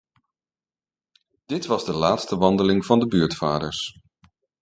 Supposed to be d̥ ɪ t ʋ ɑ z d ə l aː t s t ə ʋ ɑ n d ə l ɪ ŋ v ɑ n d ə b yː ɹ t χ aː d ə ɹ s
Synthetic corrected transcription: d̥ ɪ t ʋ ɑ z d ə l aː t s t ə ʋ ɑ n d ə l ɪ ŋ v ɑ n d ə b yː ɹ t f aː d ə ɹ s